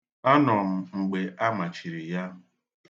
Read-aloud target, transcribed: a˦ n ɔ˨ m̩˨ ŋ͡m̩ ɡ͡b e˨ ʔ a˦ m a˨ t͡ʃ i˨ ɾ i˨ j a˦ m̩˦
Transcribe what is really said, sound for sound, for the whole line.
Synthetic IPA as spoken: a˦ n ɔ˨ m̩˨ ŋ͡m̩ ɡ͡b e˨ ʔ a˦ m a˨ t͡ʃ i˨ ɾ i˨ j a˦ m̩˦

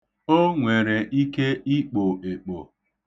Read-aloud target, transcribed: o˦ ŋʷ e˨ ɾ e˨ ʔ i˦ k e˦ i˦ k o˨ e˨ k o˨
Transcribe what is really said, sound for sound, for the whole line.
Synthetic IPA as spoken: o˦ ŋʷ e˨ ɾ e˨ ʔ i˦ k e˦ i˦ k͡p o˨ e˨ k͡p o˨

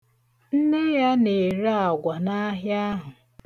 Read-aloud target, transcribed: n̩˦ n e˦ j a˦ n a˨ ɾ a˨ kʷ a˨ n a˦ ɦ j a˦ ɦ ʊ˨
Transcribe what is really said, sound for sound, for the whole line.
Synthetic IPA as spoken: n̩˦ n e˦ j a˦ n e˨ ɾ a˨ ɡʷ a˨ n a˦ ɦ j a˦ ɦ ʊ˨

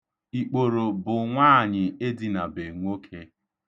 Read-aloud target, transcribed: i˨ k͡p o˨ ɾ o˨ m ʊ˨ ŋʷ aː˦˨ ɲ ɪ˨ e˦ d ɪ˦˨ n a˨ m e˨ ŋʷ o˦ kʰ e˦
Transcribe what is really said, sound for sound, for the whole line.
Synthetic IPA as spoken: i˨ k͡p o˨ ɾ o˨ b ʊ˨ ŋʷ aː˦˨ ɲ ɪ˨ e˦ d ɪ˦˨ n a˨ b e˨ ŋʷ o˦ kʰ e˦

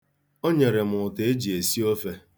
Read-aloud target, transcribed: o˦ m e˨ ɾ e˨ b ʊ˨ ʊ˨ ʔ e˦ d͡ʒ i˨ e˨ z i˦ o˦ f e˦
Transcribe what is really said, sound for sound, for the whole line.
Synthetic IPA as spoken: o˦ ɲ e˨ ɾ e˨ m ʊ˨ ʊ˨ t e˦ d͡ʒ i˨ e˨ s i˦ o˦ f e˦

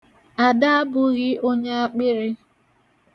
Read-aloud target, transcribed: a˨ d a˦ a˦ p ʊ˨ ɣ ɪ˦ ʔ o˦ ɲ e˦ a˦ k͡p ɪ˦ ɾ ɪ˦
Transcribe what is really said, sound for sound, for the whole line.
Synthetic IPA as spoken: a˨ d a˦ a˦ b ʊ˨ ɣ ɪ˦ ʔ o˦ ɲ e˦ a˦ k͡p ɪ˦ ɾ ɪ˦

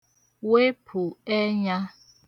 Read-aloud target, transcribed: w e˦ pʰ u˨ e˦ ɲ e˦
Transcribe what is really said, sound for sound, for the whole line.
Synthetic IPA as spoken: w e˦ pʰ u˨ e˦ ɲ a˦

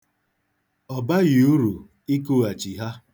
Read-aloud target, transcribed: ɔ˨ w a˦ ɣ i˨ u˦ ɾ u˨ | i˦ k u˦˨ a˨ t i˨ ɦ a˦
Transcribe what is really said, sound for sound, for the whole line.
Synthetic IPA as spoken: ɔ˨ b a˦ ɣ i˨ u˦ ɾ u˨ | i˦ k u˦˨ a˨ t͡ʃ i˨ ɦ a˦

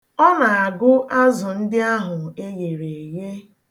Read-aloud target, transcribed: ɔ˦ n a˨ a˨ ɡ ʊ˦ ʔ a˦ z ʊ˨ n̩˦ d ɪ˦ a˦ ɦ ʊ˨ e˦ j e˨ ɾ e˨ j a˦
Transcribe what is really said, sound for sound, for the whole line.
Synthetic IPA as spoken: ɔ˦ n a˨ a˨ ɡ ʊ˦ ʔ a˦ z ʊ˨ n̩˦ d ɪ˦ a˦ ɦ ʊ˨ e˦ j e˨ ɾ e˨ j e˦

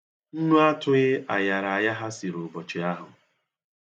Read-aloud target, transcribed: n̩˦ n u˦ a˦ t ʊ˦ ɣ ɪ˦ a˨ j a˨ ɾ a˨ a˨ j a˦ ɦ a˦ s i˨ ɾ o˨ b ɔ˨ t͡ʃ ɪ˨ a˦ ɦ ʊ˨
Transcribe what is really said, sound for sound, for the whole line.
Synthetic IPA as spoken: n̩˦ n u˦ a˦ t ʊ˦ ɣ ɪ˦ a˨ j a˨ ɾ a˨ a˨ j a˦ ɦ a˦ s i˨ ɾ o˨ b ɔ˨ t͡ʃ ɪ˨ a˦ ɦ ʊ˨

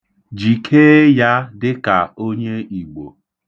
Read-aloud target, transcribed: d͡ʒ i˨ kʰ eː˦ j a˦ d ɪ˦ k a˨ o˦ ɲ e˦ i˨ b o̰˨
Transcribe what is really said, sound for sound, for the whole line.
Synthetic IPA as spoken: d͡ʒ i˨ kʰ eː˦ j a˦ d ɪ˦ k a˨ o˦ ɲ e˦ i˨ ɡ͡b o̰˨

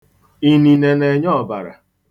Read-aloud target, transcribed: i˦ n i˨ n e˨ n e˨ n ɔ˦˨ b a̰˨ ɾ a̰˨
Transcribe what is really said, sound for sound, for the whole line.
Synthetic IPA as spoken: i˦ n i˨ n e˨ n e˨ ɲ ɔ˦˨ b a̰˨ ɾ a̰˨

